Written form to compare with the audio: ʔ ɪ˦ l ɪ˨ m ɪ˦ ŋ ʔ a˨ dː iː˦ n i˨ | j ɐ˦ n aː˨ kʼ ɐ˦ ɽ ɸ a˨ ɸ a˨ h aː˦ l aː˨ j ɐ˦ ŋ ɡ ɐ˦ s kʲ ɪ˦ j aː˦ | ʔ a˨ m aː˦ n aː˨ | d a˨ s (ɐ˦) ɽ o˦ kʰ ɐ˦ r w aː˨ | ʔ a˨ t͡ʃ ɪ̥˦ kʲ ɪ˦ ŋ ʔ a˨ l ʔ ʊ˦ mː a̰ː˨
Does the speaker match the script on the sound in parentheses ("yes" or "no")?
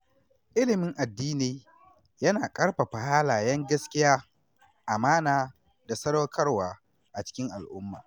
yes